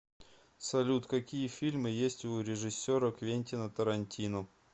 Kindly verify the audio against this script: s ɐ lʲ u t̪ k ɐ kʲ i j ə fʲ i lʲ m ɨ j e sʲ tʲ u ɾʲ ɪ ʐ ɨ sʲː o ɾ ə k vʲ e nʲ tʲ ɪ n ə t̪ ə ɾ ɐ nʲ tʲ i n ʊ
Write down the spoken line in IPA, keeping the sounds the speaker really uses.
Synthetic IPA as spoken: s ɐ lʲ u t̪ k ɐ kʲ i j ə fʲ i lʲ m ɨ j e sʲ tʲ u ɾʲ ɪ ʐ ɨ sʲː o ɾ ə k vʲ e nʲ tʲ ɪ n ə t̪ ə ɾ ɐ nʲ tʲ i n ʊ